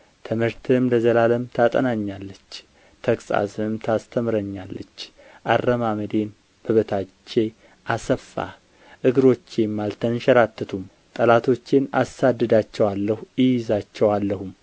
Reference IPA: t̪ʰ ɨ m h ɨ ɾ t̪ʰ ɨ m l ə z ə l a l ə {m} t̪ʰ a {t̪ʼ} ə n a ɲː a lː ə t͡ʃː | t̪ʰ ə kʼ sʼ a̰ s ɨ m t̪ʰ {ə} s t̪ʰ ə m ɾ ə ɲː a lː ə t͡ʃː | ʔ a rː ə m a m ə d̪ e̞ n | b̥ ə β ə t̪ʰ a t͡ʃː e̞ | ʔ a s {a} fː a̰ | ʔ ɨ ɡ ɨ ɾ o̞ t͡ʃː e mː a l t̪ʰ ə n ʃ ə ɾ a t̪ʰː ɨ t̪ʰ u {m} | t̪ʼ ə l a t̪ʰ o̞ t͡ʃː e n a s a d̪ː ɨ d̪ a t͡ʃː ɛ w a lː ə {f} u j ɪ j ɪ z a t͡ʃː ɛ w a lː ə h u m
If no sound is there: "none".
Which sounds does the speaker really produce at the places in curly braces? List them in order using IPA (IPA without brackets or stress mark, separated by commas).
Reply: m, t̪ʼ, a, ə, m, h